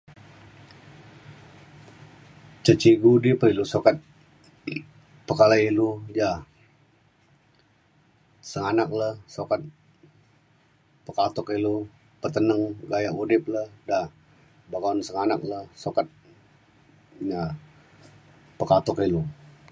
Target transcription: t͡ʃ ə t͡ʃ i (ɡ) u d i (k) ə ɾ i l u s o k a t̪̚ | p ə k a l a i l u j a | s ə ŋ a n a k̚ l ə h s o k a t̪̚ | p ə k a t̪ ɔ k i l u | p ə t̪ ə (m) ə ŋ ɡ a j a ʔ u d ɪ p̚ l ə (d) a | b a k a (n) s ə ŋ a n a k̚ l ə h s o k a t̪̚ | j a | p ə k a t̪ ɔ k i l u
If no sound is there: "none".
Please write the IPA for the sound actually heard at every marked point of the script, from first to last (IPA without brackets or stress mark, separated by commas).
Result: ɡ, p, n, d, n